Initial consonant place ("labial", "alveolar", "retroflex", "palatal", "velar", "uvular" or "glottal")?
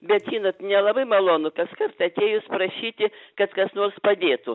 labial